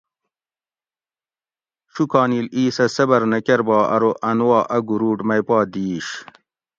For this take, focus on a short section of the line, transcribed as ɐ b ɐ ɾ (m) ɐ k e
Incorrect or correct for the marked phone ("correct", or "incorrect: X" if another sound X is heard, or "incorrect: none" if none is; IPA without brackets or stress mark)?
incorrect: n